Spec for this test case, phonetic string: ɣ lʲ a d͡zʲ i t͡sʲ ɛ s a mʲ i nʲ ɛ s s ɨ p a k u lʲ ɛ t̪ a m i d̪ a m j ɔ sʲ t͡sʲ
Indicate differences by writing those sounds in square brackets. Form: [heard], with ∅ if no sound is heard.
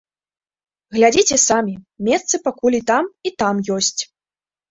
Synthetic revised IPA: ɣ lʲ a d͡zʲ i t͡sʲ ɛ s a mʲ i [mʲ] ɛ s s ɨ p a k u lʲ [i] t̪ a m i [t̪] a m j ɔ sʲ t͡sʲ